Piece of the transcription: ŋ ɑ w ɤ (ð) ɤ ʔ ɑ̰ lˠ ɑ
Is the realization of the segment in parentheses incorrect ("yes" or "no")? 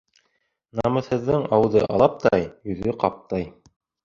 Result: no